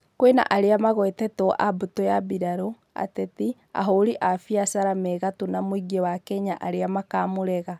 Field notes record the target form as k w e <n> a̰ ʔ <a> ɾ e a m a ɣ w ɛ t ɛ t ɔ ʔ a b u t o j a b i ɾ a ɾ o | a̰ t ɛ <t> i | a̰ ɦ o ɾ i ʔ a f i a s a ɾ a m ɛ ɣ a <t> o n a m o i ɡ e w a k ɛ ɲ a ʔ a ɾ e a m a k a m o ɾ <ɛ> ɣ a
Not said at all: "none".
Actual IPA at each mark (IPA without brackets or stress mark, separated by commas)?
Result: n, a, t, t, ɛ